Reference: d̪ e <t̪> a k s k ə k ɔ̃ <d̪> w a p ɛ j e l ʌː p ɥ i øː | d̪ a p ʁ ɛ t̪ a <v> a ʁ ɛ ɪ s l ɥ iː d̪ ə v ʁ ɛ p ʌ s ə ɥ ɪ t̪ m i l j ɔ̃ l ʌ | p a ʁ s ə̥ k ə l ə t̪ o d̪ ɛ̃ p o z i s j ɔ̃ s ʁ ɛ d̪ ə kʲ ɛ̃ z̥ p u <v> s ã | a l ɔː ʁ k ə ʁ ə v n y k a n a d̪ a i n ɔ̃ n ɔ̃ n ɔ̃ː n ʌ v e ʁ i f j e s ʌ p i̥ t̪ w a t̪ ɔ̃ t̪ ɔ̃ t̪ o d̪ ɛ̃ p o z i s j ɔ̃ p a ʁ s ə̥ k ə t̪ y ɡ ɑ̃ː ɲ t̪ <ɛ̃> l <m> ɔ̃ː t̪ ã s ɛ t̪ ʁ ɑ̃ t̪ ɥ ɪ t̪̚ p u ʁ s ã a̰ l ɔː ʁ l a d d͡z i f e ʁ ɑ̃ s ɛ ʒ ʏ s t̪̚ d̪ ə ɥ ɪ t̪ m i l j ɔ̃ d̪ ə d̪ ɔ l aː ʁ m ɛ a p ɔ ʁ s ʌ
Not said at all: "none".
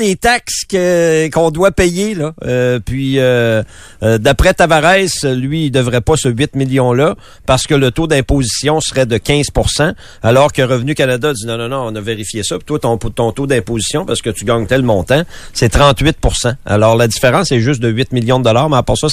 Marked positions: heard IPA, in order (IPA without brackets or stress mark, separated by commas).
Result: t̪, d̪, v, ʁ, ɛ, m